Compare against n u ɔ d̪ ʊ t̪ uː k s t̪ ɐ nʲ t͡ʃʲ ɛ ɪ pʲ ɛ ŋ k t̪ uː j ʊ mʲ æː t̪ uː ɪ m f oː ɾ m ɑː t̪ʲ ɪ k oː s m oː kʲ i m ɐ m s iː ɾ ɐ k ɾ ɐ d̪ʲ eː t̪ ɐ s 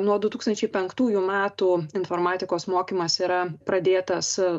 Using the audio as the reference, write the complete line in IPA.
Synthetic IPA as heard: n u ɔ d̪ ʊ t̪ uː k s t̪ ɐ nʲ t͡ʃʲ ɛ ɪ pʲ ɛ ŋ k t̪ uː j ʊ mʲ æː t̪ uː ɪ n f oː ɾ m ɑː t̪ʲ ɪ k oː s m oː kʲ i m ɐ s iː ɾ ɐ p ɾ ɐ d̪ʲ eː t̪ ɐ s